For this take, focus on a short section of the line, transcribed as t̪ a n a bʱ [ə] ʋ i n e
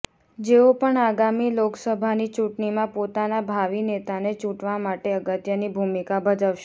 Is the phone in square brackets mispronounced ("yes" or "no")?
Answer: yes